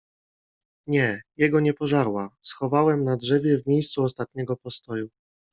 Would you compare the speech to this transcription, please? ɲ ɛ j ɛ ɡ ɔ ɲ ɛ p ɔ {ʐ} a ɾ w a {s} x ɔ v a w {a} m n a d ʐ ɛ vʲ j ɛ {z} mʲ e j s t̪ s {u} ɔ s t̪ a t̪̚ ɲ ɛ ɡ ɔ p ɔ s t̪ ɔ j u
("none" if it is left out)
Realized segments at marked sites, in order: ʐ, s, ɛ, v, u

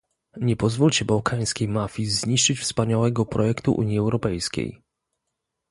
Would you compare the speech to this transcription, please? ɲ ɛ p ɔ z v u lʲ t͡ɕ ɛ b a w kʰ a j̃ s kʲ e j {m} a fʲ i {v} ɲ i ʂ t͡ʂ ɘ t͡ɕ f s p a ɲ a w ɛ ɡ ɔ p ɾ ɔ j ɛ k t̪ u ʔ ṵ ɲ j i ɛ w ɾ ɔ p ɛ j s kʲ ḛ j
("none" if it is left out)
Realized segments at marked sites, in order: m, z

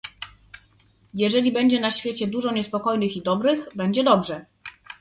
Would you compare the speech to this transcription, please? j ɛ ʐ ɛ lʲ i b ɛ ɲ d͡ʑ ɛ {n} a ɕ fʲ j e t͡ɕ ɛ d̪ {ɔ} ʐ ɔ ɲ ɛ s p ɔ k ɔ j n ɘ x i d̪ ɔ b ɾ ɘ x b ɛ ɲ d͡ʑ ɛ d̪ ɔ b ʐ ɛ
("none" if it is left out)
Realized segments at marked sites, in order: n, u

